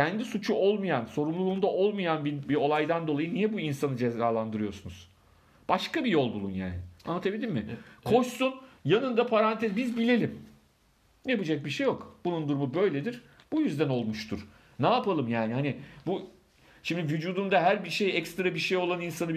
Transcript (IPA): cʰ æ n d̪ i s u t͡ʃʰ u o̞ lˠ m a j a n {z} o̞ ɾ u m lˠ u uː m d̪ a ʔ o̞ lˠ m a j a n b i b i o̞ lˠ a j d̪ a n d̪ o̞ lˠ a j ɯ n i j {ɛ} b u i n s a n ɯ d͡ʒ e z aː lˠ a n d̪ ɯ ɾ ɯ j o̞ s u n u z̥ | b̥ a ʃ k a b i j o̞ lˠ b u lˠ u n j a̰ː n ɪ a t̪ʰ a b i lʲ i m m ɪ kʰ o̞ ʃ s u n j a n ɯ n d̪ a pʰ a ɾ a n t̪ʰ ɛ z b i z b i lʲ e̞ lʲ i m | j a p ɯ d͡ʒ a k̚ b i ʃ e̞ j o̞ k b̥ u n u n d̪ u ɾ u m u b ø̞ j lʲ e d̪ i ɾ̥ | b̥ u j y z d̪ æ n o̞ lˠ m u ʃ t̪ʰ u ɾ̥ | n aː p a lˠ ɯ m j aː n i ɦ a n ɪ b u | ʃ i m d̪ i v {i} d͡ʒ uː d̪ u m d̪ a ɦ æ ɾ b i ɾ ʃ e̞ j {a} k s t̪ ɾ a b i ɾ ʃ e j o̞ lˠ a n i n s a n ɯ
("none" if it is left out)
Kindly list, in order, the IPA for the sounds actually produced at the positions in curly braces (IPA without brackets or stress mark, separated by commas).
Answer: s, ɛ, y, ɛ